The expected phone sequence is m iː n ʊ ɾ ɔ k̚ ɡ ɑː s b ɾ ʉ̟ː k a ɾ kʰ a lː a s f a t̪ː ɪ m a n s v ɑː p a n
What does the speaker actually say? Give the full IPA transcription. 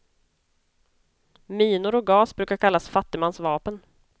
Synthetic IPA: m iː n ʊ ɾ ɔ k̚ ɡ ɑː s b ɾ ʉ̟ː k a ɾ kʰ a lː a s f a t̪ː ɪ m a n s v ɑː p ə n

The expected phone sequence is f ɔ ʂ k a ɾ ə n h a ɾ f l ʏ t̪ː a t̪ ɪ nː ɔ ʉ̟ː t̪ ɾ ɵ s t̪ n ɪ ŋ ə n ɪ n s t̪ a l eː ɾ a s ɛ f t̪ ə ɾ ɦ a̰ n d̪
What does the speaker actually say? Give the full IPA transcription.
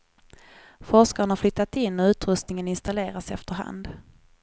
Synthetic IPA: f ɔ ʂ k a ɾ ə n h a ɾ f l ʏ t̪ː a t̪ ɪ nː ɔ ʉ̟ː t̪ ɾ ɵ s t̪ n ɪ ŋ ə n ɪ n s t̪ a l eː ɾ a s ɛ f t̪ ə ɾ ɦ a̰ n d̪

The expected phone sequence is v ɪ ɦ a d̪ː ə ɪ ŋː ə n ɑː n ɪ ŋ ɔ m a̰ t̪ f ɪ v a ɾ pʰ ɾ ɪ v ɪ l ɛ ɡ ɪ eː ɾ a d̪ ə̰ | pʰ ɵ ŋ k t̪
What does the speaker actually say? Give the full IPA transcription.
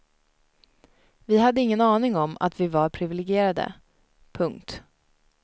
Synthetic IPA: v ɪ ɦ a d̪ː ə ɪ ŋː ə n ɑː n ɪ ŋ ɔ m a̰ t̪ v ɪ v a ɾ pʰ ɾ ɪ v ɪ l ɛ ɡ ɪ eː ɾ a d̪ ə̰ | pʰ ɵ ŋ k t̪

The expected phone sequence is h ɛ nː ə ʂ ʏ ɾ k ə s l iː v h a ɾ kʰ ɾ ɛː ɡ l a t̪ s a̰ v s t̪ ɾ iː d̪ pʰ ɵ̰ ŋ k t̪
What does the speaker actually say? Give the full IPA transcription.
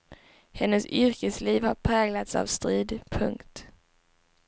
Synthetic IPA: h ɛ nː ə s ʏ ɾ k ə s l iː v h a ɾ pʰ ɾ ɛː ɡ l a t̪ s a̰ v s t̪ ɾ iː d̪ pʰ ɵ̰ ŋ k t̪

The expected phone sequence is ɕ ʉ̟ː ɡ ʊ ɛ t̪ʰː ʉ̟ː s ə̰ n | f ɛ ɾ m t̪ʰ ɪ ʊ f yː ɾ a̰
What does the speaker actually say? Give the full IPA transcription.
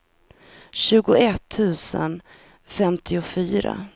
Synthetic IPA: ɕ ʉ̟ː ɡ ʊ ɛ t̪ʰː ʉ̟ː s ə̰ n | f ɛ m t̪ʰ ɪ ʊ f yː ɾ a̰

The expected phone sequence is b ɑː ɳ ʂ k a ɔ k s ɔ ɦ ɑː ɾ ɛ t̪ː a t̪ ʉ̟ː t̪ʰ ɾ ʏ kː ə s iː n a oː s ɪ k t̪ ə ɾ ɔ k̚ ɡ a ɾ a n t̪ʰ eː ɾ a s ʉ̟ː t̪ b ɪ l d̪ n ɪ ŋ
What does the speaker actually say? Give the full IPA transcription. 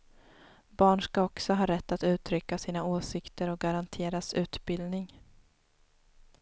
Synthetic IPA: b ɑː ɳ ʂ k a ɔ k s ɔ ɦ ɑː ɾ ɛ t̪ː a t̪ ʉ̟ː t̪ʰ ɾ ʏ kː a s iː n a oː s ɪ k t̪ ə ɾ ɔ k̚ ɡ a ɾ a n t̪ʰ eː ɾ a s ʉ̟ː t̪ b ɪ l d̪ n ɪ ŋ

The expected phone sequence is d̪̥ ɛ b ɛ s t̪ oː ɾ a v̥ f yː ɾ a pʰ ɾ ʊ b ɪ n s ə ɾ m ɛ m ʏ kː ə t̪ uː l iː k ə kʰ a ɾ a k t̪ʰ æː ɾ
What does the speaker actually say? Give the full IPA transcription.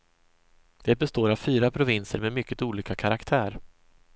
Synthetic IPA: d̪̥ ɛ b ɛ s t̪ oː ɾ a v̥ f yː ɾ a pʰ ɾ ʊ v ɪ n s ə ɾ m ɛ m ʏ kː ə t̪ uː l iː k a kʰ a ɾ a k t̪ʰ æː ɾ

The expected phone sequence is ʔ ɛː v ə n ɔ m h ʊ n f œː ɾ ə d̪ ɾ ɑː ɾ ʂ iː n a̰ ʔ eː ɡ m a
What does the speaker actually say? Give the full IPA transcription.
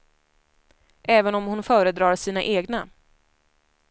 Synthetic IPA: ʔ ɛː v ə n ɔ m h ʊ n f œː ɾ ə d̪ ɾ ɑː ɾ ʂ iː n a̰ ʔ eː ɡ n a

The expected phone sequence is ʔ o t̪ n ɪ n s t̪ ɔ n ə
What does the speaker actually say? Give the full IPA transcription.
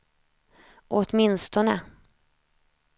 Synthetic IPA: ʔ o t̪ m ɪ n s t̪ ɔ n ə

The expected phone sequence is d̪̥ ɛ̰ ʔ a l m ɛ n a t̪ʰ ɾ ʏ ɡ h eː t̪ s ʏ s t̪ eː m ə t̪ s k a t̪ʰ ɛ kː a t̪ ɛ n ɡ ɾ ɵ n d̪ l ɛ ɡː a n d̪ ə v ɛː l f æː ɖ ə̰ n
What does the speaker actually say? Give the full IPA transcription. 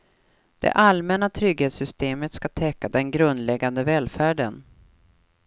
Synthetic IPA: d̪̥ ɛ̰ ʔ a l m ɛ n a t̪ʰ ɾ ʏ ɡ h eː t̪ s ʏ s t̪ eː m ə t̪ s k a t̪ʰ ɛ kː a d̪ ɛ n ɡ ɾ ɵ n d̪ l ɛ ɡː a n d̪ ə v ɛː l f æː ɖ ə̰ n

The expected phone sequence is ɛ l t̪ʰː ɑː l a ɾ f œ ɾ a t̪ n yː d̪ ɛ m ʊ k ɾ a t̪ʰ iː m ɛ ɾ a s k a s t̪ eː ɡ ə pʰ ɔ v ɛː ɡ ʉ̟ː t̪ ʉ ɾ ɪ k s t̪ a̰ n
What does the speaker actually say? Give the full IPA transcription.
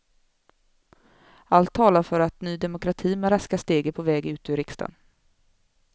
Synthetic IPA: a l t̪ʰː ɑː l a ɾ f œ ɾ a t̪ n yː d̪ ɛ m ʊ k ɾ a t̪ʰ iː m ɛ ɾ a s k a s t̪ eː ɡ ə pʰ ɔ v ɛː ɡ ʉ̟ː t̪ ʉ ɾ ɪ k s t̪ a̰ n

